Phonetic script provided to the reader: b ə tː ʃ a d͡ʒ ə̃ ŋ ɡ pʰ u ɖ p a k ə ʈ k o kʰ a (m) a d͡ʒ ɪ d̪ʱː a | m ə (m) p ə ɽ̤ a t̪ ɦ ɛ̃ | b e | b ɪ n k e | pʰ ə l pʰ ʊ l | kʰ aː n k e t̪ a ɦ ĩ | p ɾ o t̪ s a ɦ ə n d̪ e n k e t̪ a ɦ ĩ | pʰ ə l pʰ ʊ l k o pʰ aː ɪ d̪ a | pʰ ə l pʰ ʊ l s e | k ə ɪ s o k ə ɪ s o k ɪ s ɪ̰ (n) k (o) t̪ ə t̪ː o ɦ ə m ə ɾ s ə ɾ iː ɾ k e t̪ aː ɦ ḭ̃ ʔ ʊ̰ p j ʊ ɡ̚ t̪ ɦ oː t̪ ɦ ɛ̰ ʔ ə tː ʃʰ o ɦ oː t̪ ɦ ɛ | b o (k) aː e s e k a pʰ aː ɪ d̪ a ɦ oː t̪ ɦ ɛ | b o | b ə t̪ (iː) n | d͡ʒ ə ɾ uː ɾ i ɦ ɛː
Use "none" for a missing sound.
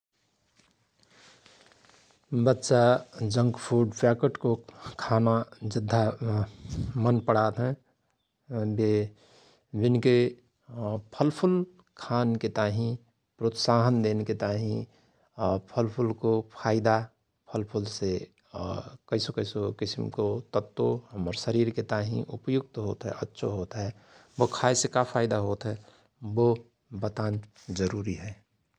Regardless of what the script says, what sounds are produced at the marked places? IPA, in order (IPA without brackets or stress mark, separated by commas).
n, n, m, o, kʰ, aː